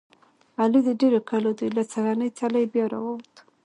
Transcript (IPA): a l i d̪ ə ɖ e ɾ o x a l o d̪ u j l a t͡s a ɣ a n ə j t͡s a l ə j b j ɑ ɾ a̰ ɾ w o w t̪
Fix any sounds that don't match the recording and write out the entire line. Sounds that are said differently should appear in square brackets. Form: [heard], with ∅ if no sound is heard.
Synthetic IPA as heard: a l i d̪ ə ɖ e ɾ o [k] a l o d̪ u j l a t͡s a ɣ a n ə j t͡s a l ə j b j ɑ ɾ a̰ [∅] w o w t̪